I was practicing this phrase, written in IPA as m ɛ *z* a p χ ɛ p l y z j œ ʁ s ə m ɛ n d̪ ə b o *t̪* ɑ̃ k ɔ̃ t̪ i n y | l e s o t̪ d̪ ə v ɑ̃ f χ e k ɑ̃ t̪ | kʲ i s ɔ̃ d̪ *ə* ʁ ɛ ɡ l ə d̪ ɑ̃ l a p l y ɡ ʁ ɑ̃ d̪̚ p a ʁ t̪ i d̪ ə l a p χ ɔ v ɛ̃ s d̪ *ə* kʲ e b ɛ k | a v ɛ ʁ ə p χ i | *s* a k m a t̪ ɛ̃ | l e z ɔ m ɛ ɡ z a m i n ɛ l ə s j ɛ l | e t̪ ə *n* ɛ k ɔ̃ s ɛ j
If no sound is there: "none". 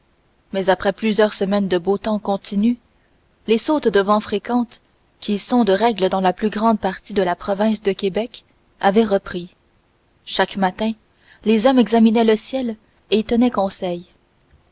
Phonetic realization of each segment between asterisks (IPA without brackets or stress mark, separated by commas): z, t̪, ə, ə, ʃ, n